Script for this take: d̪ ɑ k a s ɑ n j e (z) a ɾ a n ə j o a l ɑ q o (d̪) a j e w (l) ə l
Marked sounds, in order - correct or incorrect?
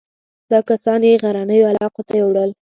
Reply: incorrect: ɣ, incorrect: t̪, incorrect: ɽ

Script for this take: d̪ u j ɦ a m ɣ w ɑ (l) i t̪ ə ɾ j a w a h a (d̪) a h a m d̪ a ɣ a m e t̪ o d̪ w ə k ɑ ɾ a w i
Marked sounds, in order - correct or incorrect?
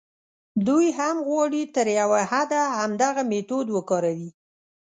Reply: incorrect: ɽ, correct

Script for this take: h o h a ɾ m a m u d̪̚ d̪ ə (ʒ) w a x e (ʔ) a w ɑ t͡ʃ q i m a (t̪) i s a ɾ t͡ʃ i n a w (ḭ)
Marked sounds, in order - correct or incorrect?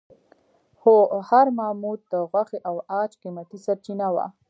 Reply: incorrect: ɣ, correct, correct, incorrect: a̰

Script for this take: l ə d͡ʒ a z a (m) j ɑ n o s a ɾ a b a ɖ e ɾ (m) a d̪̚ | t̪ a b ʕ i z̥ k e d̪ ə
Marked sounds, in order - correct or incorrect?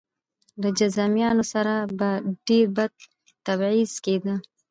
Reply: correct, incorrect: b

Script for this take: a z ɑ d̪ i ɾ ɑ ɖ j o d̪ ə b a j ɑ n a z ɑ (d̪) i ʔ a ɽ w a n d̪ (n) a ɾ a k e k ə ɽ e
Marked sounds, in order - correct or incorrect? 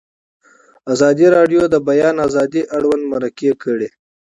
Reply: correct, incorrect: m

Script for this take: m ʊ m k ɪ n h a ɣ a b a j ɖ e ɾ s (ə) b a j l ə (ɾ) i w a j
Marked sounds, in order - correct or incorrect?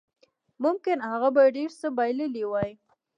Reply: correct, incorrect: l

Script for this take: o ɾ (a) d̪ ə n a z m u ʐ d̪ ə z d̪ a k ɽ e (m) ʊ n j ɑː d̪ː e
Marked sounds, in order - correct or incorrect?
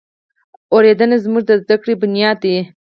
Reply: incorrect: e, incorrect: b

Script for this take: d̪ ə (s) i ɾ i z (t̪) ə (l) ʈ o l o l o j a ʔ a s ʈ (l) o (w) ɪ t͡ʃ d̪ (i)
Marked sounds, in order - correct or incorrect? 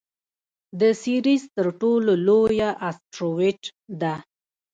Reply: correct, correct, incorrect: ɾ, incorrect: ɾ, correct, incorrect: a

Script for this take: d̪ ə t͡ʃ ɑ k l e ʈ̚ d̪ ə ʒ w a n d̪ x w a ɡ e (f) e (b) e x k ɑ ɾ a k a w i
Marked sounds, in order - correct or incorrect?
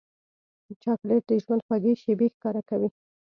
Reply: incorrect: ʃ, correct

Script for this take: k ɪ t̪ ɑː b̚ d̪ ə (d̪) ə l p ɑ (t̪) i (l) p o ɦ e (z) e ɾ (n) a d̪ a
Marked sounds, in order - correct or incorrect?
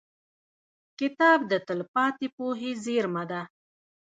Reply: incorrect: t̪, correct, incorrect: none, correct, incorrect: m

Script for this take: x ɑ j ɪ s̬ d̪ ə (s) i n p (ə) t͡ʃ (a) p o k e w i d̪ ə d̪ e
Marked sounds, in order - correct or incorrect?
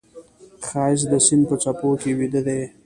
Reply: correct, correct, correct

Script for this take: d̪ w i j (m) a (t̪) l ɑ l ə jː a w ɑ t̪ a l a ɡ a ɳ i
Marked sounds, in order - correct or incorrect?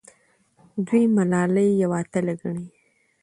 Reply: correct, incorrect: none

